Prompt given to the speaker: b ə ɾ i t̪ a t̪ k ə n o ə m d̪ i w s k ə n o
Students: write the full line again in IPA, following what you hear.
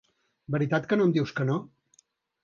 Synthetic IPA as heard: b ə ɾ i t̪ a t̪ k ə n o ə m d̪ i w s k ə n o